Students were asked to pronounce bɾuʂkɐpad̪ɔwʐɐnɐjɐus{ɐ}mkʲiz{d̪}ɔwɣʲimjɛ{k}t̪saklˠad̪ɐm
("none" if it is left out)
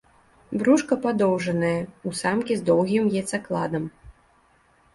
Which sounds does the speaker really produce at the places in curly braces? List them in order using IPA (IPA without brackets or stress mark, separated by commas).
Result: a, d̪, none